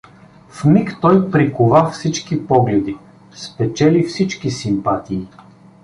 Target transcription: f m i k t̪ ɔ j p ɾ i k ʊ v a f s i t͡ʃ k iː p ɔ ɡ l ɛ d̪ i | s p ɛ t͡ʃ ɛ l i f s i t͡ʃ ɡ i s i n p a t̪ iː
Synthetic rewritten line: f m i k t̪ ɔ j p ɾ i k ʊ v a f s i t͡ʃ k i p ɔ ɡ l ɛ d̪ i | s p ɛ t͡ʃ ɛ l i f s i t͡ʃ k i s i m p a t̪ iː